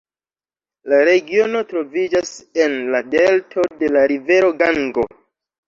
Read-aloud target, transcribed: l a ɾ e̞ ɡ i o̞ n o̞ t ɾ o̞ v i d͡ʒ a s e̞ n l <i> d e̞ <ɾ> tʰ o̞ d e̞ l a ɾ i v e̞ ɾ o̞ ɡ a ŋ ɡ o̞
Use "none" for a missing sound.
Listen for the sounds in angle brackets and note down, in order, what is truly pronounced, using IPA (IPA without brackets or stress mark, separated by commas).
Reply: a, l